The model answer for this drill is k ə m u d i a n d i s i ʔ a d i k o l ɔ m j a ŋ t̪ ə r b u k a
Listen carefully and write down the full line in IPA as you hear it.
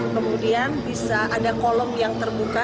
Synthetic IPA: k ə m u d i a n b i s a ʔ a d a k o l ɔ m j a ŋ t̪ ə r b u k a